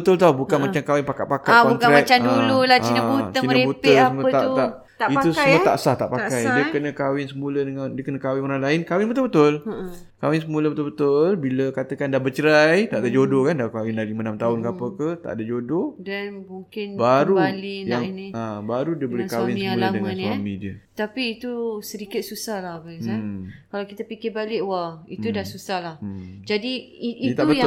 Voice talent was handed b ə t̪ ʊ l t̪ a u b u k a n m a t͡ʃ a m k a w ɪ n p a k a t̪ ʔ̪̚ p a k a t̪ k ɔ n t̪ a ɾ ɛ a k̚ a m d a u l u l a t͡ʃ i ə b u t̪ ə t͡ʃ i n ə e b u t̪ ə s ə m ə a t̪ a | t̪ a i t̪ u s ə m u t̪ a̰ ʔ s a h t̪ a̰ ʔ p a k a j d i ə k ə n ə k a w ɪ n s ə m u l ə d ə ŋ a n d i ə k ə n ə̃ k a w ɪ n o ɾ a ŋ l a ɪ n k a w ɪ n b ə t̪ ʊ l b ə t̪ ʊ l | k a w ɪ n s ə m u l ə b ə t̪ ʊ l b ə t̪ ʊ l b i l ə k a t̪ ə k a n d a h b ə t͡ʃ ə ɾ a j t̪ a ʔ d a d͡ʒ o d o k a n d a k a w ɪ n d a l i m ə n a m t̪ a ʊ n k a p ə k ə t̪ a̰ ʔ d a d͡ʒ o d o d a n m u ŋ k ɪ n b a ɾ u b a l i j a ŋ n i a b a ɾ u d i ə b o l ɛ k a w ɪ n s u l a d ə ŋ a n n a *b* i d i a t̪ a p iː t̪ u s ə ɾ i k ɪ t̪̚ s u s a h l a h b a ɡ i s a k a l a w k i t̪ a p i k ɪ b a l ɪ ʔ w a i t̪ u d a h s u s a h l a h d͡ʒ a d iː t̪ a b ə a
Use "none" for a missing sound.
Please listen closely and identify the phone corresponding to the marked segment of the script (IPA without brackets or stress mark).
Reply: m